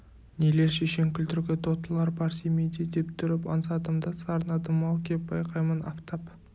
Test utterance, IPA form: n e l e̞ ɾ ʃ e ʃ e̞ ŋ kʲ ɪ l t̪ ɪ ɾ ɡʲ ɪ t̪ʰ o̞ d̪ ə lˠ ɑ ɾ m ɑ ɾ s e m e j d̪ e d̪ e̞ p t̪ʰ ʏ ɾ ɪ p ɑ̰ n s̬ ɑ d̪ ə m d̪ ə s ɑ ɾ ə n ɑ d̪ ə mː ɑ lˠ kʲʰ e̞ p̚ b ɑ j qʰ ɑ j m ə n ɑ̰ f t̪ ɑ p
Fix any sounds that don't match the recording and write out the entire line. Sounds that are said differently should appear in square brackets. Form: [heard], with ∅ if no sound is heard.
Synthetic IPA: n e l e̞ ɾ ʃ e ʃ e̞ ŋ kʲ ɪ l t̪ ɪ ɾ ɡʲ ɪ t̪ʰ o̞ [t̪] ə lˠ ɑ ɾ [b] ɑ ɾ s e m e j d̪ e d̪ e̞ p t̪ʰ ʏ ɾ ɪ p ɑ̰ n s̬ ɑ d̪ ə m d̪ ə s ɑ ɾ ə n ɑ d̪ ə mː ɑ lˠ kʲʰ e̞ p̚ b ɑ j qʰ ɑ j m ə n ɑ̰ f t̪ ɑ p